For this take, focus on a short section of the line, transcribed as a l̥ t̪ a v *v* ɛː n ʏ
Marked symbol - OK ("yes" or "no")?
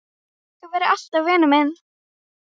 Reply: yes